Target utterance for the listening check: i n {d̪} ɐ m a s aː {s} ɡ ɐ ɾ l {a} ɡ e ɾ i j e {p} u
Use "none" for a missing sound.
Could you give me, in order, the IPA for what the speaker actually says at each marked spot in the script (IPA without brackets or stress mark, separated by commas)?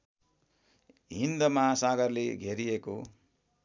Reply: d̪, none, i, k